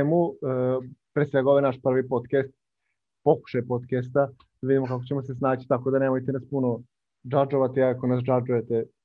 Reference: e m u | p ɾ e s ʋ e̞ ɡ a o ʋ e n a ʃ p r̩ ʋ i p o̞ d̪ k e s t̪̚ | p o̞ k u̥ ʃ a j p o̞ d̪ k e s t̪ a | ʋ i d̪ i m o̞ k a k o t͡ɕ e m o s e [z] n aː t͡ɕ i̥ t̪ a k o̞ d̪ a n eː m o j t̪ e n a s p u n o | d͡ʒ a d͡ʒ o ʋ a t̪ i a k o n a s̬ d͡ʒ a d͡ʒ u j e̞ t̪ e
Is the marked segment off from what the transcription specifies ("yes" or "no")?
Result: yes